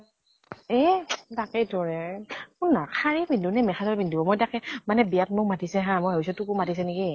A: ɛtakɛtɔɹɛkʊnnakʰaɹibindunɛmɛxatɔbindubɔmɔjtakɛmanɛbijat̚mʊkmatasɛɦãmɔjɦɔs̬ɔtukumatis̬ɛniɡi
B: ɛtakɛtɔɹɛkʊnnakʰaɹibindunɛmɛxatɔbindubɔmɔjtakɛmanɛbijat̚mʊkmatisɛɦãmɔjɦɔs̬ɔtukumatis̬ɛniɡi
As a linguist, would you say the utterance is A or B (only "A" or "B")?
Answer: B